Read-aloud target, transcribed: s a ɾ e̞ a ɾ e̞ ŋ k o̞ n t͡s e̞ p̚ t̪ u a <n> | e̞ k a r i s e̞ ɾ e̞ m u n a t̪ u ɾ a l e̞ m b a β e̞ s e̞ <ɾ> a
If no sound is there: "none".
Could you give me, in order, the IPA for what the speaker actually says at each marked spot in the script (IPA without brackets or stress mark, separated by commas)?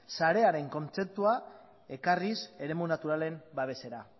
none, ɾ